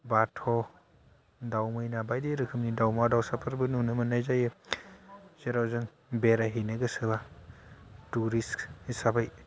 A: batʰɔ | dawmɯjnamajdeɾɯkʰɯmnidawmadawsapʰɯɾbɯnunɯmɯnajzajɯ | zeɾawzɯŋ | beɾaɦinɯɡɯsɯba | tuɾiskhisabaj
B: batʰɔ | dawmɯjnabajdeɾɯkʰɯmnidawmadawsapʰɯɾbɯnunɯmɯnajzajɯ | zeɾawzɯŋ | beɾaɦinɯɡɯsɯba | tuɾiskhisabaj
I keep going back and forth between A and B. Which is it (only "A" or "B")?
B